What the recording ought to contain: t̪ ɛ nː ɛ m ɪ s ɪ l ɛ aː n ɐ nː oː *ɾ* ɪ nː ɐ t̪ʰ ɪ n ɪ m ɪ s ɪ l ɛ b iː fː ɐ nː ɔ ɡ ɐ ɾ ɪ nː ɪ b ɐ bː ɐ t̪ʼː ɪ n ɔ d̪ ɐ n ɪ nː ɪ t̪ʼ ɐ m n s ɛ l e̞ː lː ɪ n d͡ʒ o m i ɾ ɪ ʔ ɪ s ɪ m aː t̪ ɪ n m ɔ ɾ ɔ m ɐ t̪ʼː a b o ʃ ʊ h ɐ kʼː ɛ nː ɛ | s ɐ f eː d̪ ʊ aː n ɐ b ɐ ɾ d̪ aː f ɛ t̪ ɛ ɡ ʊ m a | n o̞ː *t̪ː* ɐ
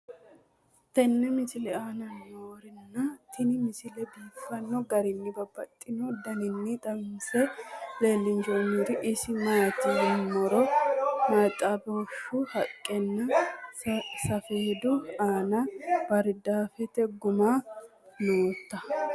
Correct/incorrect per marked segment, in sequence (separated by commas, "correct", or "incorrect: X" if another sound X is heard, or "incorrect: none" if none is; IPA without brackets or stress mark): correct, correct